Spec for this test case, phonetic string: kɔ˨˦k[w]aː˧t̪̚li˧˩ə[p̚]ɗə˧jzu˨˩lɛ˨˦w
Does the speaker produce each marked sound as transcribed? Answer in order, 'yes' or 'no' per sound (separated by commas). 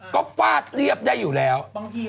yes, yes